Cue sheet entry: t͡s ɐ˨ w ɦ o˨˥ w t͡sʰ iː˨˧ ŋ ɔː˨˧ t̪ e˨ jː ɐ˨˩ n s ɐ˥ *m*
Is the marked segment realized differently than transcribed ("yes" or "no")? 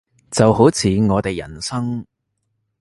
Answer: yes